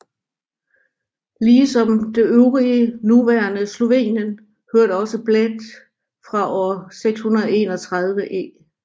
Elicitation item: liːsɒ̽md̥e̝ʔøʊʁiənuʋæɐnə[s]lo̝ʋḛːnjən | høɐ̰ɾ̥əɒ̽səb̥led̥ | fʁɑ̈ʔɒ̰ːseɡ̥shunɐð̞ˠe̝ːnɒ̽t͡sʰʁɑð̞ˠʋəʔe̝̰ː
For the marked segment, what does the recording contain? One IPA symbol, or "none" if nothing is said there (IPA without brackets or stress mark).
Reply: s